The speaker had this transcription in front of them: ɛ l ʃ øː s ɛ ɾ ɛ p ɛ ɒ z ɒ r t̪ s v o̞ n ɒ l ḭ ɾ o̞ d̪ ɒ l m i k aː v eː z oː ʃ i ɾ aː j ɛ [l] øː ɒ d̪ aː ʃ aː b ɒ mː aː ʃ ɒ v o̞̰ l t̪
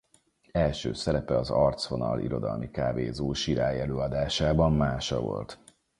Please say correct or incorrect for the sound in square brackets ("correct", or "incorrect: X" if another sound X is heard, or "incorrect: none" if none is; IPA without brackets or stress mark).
correct